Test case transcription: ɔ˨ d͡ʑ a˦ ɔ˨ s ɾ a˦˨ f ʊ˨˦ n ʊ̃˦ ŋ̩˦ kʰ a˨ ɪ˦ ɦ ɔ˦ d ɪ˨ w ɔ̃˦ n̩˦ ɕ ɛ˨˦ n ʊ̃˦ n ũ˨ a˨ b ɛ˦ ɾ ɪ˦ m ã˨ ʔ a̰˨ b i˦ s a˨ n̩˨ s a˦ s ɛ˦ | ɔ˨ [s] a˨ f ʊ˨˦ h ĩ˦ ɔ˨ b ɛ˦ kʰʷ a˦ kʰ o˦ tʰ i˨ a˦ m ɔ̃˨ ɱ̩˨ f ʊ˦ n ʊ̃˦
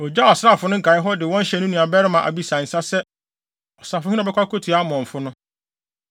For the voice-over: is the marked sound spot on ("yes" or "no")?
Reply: yes